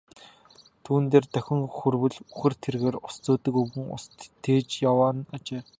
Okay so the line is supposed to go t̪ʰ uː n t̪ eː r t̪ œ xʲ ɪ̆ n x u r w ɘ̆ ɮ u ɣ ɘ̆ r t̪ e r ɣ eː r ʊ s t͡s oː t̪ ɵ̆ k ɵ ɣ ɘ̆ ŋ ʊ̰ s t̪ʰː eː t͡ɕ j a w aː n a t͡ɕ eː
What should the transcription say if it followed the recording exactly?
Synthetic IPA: t̪ʰ uː n t̪ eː r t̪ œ xʲ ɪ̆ ŋ x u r w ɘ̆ ɮ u x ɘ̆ r t̪ʰ e r ɣ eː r ʊ s t͡s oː t̪ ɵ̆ k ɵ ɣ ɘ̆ ŋ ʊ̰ s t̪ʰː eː t͡ɕ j a w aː n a t͡ɕ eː

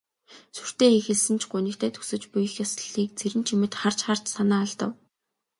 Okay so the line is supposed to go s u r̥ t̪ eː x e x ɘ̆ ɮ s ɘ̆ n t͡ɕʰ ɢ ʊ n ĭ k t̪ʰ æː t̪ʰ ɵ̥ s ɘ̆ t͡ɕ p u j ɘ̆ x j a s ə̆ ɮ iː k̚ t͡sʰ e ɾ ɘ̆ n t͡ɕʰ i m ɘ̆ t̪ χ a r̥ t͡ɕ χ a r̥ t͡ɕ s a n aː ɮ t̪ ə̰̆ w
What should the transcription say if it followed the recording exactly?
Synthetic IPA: s u r̥ t̪ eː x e x ɘ̆ ɮ s ɘ̆ n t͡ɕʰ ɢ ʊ n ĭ k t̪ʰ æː t̪ʰ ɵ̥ s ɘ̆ t͡ɕ p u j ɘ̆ x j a s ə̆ ɮ iː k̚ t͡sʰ e ɾ ɘ̆ n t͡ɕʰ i m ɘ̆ t̪ χ a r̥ t͡ɕ χ a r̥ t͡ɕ s a n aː ɮ t̪ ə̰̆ w

